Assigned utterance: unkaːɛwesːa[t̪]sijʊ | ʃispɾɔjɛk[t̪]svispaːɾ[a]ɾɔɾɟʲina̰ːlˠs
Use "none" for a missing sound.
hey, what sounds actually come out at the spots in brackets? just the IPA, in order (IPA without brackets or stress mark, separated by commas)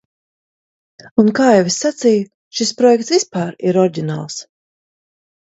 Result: t̪, t̪, i